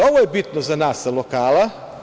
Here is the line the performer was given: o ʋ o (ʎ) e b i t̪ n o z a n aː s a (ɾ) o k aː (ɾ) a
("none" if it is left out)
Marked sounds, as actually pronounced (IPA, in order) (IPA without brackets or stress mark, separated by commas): j, l, l